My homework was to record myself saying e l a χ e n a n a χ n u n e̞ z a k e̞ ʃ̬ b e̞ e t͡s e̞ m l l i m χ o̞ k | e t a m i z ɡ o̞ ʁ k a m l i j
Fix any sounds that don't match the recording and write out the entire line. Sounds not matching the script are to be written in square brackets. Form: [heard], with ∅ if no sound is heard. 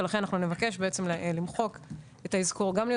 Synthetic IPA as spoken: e l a χ e n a n a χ n u n e̞ [v] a k e̞ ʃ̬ b e̞ e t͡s e̞ m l l i m χ o̞ k | e t a [∅] i z [k] o̞ ʁ [ɡ] a m l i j

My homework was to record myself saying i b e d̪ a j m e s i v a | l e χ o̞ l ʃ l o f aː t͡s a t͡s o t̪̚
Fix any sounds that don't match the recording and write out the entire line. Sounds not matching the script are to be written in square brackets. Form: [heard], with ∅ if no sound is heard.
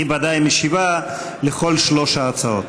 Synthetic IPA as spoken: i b [a] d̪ a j m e [ʃ] i v a | l e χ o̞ l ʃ l o [ʃ] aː t͡s a [∅] o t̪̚

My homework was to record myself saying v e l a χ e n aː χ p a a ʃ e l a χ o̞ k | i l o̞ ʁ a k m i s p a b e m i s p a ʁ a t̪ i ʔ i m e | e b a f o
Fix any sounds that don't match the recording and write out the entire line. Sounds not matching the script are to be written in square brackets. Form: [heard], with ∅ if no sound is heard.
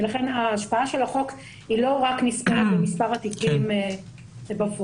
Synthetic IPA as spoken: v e l a χ e n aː [ʃ] p a a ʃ e l a χ o̞ k | i l o̞ ʁ a k [n] i s p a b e m i s p a ʁ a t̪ i [k] i m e | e b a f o

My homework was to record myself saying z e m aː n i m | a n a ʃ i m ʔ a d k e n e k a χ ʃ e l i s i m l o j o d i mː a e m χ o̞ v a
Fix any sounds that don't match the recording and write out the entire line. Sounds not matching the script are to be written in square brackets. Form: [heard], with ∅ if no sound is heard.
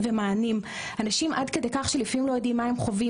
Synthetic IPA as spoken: [v] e m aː n i m | a n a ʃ i m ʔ a d k e [d] e k a χ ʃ e l i [f] i m l o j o d i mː a e m χ o̞ v [i]

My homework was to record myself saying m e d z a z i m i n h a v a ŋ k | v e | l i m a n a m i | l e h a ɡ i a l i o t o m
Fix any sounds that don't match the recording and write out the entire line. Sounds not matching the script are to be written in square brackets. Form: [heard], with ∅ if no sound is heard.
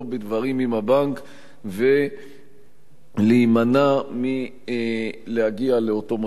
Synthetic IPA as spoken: [b] e d [v] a [ʁ] i m i [m] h a [b] a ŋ k | v e | l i m a n a m i | l e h a ɡ i a l [e] o t o m

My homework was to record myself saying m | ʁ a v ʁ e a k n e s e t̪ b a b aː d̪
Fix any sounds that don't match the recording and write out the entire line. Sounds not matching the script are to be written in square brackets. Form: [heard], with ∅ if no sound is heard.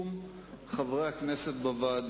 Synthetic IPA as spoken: m | [χ] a v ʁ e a k n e s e t̪ b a [v] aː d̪

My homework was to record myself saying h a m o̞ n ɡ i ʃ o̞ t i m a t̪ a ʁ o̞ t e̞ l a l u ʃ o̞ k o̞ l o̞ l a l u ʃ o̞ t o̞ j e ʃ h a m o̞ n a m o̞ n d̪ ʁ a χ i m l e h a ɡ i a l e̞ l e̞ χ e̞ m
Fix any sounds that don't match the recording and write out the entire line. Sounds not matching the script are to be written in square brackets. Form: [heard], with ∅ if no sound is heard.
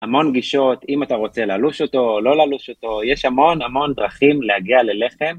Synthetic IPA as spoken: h a m o̞ n ɡ i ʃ o̞ t i m a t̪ a ʁ o̞ [t͡s] e̞ l a l u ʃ o̞ [t] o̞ l o̞ l a l u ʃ o̞ t o̞ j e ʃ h a m o̞ n a m o̞ n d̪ ʁ a χ i m l e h a ɡ i a l e̞ l e̞ χ e̞ m

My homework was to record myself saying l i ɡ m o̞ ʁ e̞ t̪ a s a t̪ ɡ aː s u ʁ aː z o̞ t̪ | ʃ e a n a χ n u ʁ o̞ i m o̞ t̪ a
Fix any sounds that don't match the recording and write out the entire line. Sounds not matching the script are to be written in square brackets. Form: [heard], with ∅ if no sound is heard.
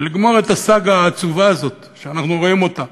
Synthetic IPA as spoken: l i ɡ m o̞ ʁ e̞ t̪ a s a [∅] ɡ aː [t͡s] u [v] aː z o̞ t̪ | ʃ e a n a χ n u ʁ o̞ i m o̞ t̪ a

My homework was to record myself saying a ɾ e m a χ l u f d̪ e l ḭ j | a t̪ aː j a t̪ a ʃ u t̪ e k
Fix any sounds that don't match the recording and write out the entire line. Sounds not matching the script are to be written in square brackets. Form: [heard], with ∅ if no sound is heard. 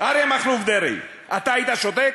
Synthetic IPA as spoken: a ɾ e m a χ l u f d̪ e [ɾ] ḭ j | a t̪ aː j [i] t̪ a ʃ [o] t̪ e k

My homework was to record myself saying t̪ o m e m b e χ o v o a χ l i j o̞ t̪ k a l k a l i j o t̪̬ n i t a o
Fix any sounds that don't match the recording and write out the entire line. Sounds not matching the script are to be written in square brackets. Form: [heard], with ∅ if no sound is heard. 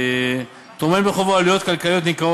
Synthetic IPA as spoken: t̪ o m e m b e χ o v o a [∅] l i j o̞ t̪ k a l k a l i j o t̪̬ n i [k] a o

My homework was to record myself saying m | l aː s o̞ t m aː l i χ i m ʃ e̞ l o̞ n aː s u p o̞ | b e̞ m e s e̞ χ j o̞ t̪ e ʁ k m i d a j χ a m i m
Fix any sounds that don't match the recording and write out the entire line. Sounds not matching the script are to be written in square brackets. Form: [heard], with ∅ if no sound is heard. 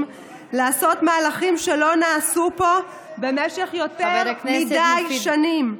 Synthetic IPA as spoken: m | l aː s o̞ t m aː l [a] χ i m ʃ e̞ l o̞ n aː s u p o̞ | b e̞ m e [ʃ] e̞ χ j o̞ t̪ e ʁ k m i d a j [ʃ] a [n] i m

